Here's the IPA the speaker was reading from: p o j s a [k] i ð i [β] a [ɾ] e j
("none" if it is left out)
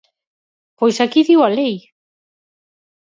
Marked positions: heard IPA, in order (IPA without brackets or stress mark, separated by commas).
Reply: k, w, l